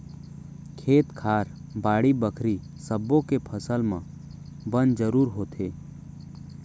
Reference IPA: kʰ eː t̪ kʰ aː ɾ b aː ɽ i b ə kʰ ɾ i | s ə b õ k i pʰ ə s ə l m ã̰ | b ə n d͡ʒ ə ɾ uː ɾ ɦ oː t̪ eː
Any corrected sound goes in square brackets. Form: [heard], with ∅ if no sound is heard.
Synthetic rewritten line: kʰ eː t̪ kʰ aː ɾ b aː ɽ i b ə kʰ ɾ i | s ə b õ k [e] pʰ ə s ə l m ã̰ | b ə n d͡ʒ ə ɾ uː ɾ ɦ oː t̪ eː

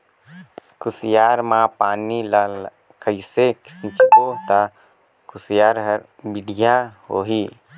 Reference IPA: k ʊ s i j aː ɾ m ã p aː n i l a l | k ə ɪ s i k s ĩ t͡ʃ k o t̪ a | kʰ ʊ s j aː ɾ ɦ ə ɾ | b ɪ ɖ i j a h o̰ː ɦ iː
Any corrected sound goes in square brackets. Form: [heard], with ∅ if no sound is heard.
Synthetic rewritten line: k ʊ s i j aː ɾ m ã p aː n i l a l | k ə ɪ s [e] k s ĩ t͡ʃ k o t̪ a | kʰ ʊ s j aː ɾ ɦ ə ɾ | b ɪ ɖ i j a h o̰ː ɦ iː

